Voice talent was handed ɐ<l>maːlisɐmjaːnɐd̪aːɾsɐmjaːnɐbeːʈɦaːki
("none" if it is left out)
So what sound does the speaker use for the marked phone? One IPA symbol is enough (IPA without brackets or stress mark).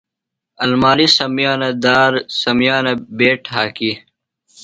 l